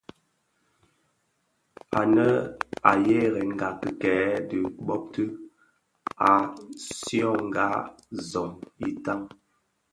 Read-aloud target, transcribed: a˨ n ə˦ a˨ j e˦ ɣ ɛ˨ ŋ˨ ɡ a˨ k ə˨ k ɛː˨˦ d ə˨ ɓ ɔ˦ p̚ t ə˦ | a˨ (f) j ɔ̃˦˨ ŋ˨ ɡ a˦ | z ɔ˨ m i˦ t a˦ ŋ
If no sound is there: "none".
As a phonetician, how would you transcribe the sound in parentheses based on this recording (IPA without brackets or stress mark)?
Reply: s